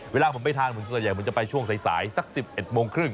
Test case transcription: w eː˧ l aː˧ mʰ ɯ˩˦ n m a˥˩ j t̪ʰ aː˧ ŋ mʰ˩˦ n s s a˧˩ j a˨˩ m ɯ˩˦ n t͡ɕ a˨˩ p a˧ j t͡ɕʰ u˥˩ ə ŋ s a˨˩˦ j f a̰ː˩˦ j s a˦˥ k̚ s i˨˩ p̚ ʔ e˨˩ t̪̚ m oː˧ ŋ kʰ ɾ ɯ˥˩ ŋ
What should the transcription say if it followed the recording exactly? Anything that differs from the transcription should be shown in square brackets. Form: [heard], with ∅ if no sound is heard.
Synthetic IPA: w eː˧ l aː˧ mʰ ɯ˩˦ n m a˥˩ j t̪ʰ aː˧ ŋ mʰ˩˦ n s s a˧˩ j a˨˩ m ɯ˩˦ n t͡ɕ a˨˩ p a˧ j t͡ɕʰ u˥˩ ə ŋ s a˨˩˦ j [s] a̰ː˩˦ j s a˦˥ k̚ s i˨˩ p̚ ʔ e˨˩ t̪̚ m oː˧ ŋ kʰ ɾ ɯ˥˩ ŋ